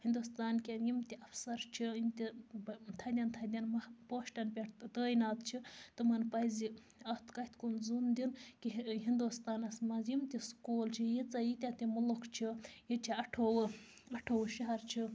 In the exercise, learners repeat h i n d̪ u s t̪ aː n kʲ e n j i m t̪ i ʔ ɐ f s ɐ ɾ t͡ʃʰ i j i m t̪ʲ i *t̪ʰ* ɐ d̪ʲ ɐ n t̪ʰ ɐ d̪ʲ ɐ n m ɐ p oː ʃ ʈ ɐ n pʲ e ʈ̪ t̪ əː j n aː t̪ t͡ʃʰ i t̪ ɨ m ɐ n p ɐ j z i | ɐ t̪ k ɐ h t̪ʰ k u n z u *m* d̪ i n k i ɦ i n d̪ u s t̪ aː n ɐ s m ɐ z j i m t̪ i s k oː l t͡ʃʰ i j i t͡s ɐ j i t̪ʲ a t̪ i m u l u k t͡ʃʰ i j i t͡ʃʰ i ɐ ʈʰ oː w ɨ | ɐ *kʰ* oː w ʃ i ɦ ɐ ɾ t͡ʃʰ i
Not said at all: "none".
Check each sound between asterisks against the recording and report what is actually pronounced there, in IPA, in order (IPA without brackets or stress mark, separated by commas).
t̪ʰ, n, ʈʰ